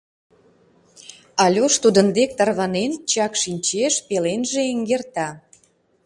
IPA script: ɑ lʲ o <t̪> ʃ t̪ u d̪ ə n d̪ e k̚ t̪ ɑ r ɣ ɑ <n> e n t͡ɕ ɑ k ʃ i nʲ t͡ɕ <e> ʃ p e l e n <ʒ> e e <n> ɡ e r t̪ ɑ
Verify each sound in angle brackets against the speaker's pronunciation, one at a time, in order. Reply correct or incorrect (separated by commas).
incorrect, correct, correct, correct, incorrect